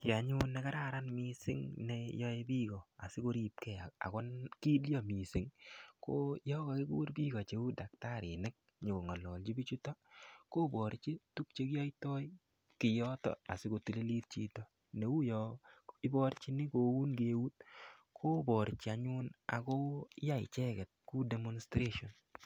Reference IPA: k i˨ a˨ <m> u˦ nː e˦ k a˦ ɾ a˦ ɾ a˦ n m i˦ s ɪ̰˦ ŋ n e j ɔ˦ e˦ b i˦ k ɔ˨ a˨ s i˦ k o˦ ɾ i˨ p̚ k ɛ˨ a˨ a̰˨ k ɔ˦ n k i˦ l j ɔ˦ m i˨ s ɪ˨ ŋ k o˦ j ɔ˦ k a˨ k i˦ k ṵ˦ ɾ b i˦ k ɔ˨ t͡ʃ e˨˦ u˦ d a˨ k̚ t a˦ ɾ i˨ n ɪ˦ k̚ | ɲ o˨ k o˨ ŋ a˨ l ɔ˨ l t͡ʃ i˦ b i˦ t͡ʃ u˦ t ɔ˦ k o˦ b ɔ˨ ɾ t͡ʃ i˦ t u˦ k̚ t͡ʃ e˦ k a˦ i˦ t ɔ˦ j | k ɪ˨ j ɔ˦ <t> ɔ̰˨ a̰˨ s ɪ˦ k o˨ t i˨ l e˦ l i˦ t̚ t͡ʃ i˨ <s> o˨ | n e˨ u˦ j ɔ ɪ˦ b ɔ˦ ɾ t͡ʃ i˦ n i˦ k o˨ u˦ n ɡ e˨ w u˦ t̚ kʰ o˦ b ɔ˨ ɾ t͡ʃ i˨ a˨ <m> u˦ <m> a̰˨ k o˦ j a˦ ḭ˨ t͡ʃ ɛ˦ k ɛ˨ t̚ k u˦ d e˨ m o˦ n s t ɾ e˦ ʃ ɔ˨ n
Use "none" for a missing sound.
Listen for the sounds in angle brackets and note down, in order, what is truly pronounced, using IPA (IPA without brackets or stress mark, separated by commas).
ɲ, t, t, ɲ, n